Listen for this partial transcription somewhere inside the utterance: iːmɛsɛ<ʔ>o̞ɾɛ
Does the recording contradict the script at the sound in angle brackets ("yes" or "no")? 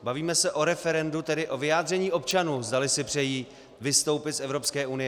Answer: no